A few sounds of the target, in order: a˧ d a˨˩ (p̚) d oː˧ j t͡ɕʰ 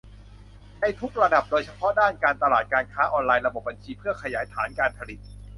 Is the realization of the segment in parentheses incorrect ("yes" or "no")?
no